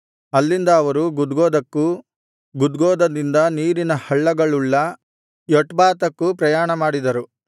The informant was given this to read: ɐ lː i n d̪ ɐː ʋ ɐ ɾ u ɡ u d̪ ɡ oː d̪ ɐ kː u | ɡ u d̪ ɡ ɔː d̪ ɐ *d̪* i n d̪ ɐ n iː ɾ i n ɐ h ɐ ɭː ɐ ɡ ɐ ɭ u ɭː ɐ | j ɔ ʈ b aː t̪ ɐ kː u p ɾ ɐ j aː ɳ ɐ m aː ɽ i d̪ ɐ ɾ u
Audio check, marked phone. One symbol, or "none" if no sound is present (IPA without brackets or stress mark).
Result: d̪